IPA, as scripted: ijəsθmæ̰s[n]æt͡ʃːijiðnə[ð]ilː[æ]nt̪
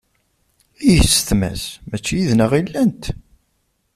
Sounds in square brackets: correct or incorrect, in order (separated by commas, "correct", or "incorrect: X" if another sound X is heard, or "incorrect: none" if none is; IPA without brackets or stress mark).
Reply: incorrect: m, incorrect: ʁ, correct